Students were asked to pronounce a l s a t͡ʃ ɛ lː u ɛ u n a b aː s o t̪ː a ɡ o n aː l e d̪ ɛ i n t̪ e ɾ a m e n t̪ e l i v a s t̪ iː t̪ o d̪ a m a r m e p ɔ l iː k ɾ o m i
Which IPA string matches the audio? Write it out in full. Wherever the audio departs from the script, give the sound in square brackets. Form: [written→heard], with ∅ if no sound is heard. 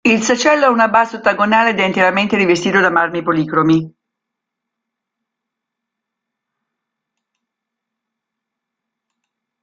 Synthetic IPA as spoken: [a→i] l s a t͡ʃ ɛ lː [u→o] ɛ u n a b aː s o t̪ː a ɡ o n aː l e d̪ ɛ i n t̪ e ɾ a m e n t̪ e [l→ɾ] i v [a→e] s t̪ iː t̪ o d̪ a m a r m [e→i] p [ɔ→o] l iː k ɾ o m i